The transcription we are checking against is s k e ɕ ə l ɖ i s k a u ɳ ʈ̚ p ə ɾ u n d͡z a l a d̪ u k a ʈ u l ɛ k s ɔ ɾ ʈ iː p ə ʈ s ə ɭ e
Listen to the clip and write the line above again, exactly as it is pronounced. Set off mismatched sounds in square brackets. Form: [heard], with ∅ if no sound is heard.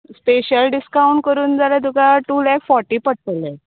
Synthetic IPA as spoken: s [p] e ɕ ə l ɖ i s k a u ɳ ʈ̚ [k] ə ɾ [uː] n d͡z a l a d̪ u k a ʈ u l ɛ k [f] ɔ ɾ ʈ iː p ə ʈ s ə [l] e